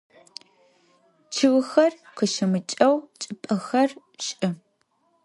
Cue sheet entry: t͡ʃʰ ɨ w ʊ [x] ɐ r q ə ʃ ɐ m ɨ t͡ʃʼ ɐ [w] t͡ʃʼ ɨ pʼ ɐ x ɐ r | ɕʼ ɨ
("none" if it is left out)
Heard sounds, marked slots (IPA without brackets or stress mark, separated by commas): x, w